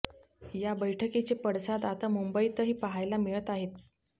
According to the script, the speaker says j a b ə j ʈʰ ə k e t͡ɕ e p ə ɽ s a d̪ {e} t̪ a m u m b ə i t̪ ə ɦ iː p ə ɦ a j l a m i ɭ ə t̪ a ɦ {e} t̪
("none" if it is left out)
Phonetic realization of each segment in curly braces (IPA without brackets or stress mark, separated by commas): a, e